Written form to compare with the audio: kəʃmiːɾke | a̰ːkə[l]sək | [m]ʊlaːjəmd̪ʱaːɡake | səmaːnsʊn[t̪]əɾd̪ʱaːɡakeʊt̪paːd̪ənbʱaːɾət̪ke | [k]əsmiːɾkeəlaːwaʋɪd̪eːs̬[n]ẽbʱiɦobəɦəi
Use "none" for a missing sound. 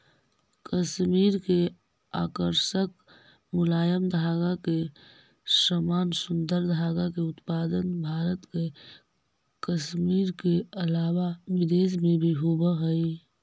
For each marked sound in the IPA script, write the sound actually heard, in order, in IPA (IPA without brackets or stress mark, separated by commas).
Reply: ɾ, m, d̪, k, m